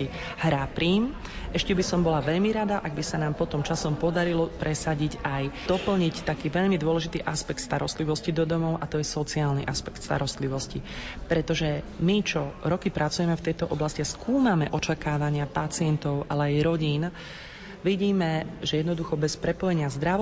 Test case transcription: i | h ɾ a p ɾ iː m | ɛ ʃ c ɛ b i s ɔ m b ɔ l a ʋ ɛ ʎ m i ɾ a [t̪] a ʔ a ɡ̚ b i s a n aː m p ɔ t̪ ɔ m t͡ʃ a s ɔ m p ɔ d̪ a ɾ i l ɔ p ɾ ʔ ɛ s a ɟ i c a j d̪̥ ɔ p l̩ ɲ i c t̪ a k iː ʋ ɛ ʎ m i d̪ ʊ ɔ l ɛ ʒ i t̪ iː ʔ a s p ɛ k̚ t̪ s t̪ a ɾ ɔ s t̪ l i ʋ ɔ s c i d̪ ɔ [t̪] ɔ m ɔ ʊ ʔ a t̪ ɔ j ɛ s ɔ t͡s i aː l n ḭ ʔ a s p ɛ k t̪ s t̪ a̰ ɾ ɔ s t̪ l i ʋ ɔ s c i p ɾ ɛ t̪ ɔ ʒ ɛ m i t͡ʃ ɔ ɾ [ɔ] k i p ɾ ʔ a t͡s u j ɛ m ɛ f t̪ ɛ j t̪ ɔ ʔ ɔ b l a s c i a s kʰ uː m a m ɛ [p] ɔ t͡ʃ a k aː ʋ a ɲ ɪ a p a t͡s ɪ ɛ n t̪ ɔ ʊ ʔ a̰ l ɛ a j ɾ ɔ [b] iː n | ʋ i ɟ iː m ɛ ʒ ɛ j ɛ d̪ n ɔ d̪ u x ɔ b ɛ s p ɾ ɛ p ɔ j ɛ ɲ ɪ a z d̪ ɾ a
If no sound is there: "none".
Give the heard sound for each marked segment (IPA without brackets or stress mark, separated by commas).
d̪, d̪, ɔ, ʔ, ɟ